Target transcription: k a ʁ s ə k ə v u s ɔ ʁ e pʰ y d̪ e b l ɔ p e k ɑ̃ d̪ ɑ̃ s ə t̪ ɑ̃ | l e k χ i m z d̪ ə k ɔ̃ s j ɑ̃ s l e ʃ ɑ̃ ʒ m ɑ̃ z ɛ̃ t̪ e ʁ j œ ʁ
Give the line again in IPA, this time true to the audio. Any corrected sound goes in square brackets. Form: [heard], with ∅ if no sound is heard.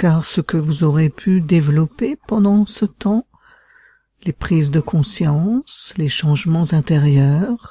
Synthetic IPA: k a ʁ s ə k ə v u [z] ɔ ʁ e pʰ y d̪ e [v] l ɔ p e [p] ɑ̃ d̪ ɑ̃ s ə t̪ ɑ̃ | l e [p] χ i [∅] z d̪ ə k ɔ̃ s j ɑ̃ s l e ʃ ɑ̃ ʒ m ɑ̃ z ɛ̃ t̪ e ʁ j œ ʁ